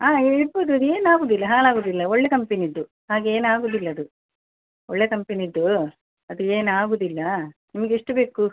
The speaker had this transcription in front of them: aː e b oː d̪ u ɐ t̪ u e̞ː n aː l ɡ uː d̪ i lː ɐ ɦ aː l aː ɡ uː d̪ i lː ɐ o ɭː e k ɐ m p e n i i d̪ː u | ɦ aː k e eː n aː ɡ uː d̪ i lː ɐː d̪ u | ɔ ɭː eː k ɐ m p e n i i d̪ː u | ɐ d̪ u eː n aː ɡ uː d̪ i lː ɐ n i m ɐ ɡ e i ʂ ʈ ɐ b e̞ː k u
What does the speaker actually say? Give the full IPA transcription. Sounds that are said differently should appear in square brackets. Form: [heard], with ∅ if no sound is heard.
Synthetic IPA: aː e b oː d̪ u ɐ [d̪] u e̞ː n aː [∅] ɡ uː d̪ i lː ɐ ɦ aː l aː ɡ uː d̪ i lː ɐ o ɭː e k ɐ m p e n i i d̪ː u | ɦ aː [ɡ] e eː n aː ɡ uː d̪ i lː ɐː d̪ u | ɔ ɭː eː k ɐ m p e n i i d̪ː u | ɐ d̪ u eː n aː ɡ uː d̪ i lː ɐ n i m ɐ ɡ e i ʂ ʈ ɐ b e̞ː k u